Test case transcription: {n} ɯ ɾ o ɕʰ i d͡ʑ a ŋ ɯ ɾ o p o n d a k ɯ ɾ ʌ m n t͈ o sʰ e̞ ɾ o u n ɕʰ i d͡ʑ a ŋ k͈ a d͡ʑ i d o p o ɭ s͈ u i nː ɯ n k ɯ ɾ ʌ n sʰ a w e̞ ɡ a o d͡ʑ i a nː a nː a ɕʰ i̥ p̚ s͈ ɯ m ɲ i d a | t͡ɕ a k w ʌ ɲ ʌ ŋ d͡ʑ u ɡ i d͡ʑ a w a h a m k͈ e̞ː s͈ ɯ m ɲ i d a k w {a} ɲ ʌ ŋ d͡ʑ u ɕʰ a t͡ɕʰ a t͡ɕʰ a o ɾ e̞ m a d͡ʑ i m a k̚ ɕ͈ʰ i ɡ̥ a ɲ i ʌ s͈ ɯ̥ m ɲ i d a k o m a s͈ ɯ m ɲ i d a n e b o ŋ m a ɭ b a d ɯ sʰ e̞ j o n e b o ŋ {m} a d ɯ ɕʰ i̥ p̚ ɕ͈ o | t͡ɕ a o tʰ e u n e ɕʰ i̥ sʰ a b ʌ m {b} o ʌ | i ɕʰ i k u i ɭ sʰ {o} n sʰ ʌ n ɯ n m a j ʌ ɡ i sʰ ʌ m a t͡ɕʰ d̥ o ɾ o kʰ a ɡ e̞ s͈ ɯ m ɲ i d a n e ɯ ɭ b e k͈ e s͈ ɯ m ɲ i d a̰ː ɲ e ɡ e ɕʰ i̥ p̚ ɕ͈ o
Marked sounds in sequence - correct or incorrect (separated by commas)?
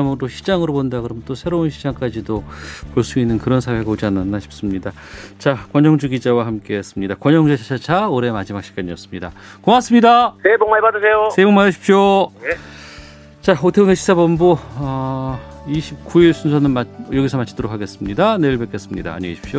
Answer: incorrect, incorrect, correct, correct, incorrect